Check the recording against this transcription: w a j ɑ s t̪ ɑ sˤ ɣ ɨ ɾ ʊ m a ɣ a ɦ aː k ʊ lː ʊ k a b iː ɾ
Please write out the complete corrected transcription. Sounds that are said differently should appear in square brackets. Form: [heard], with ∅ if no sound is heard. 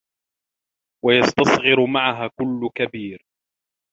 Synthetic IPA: w a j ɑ s t̪ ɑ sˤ ɣ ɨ ɾ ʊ m a [ʕ] a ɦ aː k ʊ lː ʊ k a b iː ɾ